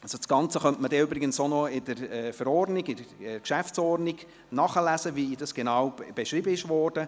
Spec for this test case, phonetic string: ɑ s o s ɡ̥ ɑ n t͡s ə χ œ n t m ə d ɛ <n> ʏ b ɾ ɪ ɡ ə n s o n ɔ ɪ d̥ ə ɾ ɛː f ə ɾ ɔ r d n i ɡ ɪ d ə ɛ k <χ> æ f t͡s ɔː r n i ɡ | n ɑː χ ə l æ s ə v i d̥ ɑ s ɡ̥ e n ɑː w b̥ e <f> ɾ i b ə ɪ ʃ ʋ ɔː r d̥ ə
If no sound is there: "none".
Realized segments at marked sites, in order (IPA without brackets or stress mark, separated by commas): none, ʃ, ʃ